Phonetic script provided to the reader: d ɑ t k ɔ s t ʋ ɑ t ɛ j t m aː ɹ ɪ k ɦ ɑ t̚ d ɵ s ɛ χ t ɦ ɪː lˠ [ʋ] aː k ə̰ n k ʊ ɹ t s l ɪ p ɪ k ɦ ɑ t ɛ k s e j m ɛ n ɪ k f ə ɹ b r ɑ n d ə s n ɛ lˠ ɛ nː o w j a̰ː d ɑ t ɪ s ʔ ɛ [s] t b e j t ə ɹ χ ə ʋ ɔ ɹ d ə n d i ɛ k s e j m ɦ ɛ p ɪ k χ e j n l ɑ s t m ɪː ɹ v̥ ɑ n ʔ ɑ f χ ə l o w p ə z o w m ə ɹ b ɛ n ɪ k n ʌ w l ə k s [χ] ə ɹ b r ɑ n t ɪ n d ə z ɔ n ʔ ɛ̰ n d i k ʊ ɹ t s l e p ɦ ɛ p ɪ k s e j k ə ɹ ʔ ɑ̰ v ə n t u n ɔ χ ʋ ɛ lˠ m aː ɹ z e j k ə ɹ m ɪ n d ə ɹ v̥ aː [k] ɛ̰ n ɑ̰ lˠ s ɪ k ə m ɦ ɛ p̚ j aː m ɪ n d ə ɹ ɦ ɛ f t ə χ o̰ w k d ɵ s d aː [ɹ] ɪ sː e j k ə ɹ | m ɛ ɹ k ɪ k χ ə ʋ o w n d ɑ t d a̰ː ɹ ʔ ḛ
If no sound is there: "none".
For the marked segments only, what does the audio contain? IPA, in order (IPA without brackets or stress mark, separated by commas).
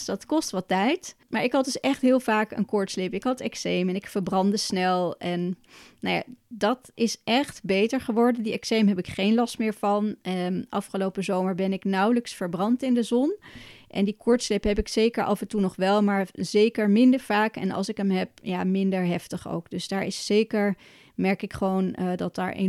v, χ, f, k, ɹ